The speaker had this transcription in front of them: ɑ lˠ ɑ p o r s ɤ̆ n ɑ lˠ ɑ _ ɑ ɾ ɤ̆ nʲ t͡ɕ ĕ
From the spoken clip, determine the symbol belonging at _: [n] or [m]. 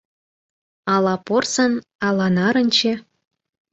n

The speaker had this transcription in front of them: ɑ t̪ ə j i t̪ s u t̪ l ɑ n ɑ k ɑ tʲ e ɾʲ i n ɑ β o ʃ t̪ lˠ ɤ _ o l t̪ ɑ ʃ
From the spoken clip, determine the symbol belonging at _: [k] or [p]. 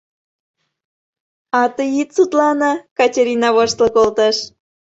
k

